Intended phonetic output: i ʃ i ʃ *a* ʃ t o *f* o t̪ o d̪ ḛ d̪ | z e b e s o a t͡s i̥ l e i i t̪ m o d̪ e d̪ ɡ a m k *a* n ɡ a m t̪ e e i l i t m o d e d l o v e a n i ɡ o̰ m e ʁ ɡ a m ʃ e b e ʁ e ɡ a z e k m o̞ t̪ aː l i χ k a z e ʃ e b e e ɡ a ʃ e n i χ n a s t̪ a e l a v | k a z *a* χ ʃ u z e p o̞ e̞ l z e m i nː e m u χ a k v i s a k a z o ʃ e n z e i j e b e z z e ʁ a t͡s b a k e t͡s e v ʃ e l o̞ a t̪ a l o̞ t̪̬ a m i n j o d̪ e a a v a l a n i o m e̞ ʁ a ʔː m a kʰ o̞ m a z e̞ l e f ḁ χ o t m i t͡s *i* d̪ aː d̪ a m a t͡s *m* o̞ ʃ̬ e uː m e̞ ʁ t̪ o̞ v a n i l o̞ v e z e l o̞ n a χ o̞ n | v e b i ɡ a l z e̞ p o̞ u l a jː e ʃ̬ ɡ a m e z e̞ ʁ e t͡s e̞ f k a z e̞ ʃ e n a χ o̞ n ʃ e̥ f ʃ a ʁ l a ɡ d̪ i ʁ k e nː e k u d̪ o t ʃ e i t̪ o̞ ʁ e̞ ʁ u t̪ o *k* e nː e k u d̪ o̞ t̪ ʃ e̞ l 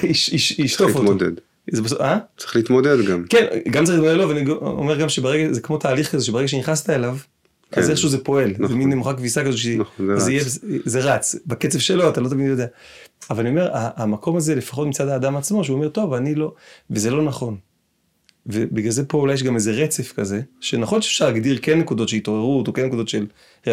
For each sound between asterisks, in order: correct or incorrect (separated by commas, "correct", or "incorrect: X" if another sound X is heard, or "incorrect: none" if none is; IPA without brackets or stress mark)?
incorrect: i, correct, incorrect: e, incorrect: e, incorrect: a, correct, correct